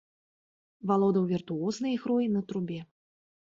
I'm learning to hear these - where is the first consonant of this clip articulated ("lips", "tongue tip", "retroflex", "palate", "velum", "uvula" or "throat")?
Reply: lips